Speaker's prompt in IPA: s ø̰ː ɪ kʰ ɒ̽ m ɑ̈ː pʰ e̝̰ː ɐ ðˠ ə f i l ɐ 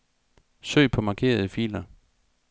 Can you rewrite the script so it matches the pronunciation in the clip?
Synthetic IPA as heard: s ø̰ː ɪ pʰ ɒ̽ m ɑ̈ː kʰ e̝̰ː ɐ ðˠ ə f i l ɐ